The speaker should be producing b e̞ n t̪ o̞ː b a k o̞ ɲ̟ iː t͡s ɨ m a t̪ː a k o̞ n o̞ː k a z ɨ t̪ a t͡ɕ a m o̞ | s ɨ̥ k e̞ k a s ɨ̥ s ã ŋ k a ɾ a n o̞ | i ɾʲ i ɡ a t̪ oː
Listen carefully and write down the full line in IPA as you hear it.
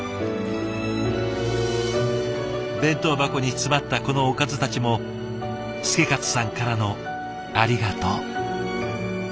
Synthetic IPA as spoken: b ẽ̞ n t̪ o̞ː b a k o̞ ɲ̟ i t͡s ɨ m a t̪ː a k o̞ n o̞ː k a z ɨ t̪ a t͡ɕ i m o̞ | s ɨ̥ k e̞ k a t͡s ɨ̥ s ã ŋ k a ɾ a n o̞ | a ɾʲ i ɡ a t̪ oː

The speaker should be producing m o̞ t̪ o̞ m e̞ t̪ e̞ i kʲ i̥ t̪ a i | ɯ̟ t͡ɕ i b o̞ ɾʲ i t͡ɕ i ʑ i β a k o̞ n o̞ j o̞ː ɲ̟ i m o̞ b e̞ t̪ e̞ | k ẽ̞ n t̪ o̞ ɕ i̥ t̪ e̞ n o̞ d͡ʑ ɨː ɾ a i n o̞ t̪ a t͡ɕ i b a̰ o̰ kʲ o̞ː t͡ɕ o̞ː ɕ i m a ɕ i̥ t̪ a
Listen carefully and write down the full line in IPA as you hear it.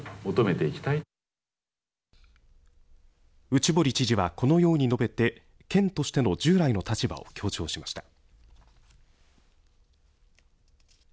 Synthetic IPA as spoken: m o̞ t̪ o̞ m e̞ t̪ e̞ i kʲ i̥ t̪ a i | ɯ̟ t͡ɕ i b o̞ ɾʲ i t͡ɕ i ʑ i β a k o̞ n o̞ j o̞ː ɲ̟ i n o̞ b e̞ t̪ e̞ | k ẽ̞ n t̪ o̞ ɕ i̥ t̪ e̞ n o̞ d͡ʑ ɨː ɾ a i n o̞ t̪ a t͡ɕ i b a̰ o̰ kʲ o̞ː t͡ɕ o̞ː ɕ i m a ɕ i̥ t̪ a

